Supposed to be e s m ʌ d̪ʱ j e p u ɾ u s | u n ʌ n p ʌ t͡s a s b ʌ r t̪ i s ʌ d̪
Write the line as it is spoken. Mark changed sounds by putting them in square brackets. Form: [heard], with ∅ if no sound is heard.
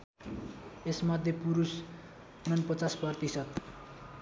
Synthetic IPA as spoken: e s m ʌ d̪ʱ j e p u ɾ u s | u n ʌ n p ʌ t͡s a s [p] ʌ r t̪ i s ʌ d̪